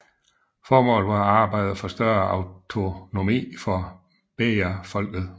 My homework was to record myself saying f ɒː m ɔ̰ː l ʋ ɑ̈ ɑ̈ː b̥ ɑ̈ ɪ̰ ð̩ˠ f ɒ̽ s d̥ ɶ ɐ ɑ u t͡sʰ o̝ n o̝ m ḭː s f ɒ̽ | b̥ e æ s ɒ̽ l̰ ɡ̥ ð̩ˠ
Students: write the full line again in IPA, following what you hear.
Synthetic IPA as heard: f ɒː m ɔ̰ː l ʋ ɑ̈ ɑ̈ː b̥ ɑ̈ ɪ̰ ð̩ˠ f ɒ̽ s d̥ ɶ ɐ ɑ ʊ t͡sʰ o̝ n o̝ m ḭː f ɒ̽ | b̥ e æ f ɒ̽ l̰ ɡ̥ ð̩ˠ